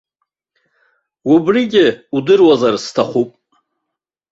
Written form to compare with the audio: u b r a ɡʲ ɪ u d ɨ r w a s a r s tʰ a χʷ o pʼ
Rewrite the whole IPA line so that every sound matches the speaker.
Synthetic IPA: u b r i ɡʲ ɪ u d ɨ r w a z a r s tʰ a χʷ u pʼ